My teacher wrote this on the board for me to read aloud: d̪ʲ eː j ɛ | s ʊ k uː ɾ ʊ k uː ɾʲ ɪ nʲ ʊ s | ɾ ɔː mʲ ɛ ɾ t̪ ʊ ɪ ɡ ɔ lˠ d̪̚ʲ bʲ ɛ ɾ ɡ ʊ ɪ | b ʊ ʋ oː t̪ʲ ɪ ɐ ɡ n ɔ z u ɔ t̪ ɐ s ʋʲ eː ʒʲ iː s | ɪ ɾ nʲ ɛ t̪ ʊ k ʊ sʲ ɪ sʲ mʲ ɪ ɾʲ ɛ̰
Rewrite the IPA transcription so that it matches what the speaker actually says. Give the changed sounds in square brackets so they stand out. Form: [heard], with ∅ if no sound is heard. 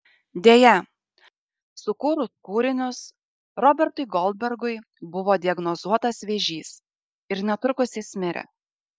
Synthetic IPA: d̪ʲ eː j ɛ | s ʊ k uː ɾ ʊ k uː ɾʲ ɪ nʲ ʊ s | ɾ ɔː [bʲ] ɛ ɾ t̪ ʊ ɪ ɡ ɔ lˠ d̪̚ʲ bʲ ɛ ɾ ɡ ʊ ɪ | b ʊ ʋ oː [d̪ʲ] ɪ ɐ ɡ n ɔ z u ɔ t̪ ɐ s ʋʲ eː ʒʲ iː s | ɪ ɾ nʲ ɛ t̪ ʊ k ʊ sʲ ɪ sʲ mʲ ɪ ɾʲ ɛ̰